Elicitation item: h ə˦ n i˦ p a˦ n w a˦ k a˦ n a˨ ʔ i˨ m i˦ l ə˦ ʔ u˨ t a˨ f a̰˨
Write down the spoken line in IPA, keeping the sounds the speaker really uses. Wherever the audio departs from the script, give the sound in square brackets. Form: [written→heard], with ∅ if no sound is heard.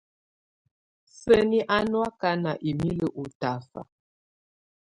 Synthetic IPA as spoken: [h→s] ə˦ n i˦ [p→ʔ] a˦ n w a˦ k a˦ n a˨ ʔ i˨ m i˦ l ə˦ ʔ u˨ t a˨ f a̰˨